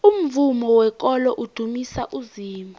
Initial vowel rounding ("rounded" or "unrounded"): rounded